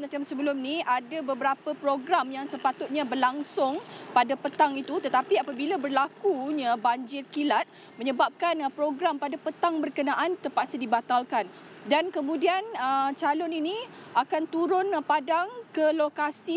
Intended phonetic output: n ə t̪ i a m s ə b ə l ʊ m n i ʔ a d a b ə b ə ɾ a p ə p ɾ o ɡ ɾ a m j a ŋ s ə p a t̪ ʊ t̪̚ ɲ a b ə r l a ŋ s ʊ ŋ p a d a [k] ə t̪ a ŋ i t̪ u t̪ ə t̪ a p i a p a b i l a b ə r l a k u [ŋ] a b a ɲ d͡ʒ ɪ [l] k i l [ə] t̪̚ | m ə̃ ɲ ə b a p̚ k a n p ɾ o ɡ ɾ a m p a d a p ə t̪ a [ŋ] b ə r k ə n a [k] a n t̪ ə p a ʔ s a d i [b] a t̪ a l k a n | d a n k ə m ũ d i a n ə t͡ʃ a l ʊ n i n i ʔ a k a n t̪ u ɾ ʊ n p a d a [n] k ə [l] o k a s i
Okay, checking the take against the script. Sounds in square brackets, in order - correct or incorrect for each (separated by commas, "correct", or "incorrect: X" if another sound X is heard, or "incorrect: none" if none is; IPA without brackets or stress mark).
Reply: incorrect: p, incorrect: ɲ, incorrect: r, incorrect: a, correct, incorrect: ʔ, correct, incorrect: ŋ, correct